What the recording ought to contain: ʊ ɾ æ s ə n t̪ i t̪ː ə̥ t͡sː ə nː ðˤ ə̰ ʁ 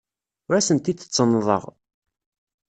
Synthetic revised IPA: ʊ ɾ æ s ə n t̪ i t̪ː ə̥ t͡sː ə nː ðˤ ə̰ ʁ